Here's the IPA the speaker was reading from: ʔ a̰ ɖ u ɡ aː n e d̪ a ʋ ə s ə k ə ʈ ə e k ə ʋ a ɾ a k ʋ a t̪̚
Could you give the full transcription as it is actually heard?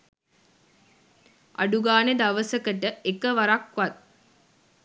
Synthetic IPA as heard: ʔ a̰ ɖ u ɡ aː n e d̪ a ʋ ə s ə k ə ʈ ə e k ə ʋ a ɾ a k ʋ a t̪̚